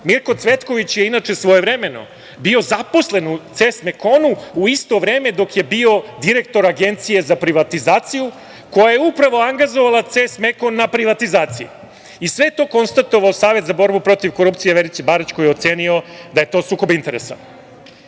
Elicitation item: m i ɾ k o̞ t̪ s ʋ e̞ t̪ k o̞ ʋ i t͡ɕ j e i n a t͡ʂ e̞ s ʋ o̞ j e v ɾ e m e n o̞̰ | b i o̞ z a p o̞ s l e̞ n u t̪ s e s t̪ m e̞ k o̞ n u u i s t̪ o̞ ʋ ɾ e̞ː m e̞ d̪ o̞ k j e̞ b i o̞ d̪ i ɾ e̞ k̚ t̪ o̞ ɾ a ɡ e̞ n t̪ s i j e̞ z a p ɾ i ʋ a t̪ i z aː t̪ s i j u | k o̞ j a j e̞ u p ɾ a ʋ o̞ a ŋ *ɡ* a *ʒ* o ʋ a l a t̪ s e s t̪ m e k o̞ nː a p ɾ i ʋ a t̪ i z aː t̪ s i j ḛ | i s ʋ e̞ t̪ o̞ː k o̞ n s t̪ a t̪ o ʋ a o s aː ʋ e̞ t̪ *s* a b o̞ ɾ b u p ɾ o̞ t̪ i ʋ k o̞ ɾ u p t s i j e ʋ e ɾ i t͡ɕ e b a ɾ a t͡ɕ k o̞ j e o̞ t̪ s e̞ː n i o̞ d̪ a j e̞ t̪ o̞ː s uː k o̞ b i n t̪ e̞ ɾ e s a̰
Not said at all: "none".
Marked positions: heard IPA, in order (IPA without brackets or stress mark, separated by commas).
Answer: ɡ, z, z